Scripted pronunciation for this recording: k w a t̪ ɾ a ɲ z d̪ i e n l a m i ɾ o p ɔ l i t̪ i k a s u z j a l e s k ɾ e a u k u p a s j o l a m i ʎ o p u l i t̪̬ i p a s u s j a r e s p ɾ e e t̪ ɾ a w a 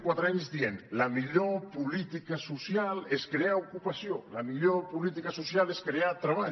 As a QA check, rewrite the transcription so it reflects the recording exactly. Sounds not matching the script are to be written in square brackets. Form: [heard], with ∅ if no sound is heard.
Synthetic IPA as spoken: k w a t̪ ɾ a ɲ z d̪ i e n l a m i [ʎ] o p [u] l i t̪ i k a s u [s] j a l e s k ɾ e a u k u p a s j o l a m i ʎ o p u l i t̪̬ i [k] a s u s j a [l] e s [k] ɾ e [a] t̪ ɾ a [β] a